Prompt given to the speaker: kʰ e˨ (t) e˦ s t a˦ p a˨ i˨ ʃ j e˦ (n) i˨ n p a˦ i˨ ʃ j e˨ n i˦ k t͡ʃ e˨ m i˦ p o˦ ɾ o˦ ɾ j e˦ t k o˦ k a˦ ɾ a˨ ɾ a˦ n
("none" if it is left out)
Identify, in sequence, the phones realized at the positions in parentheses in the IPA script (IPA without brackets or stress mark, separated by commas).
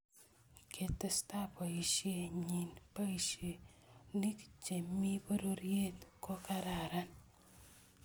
t, ɲ